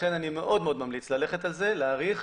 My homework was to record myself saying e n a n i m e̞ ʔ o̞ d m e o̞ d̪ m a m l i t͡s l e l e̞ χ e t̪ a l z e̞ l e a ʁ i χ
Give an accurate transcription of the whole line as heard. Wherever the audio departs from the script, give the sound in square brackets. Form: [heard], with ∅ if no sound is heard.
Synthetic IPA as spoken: e n a n i m e̞ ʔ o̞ d m e o̞ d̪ m a m l i t͡s l [a] l e̞ χ e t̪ a l z e̞ l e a ʁ i χ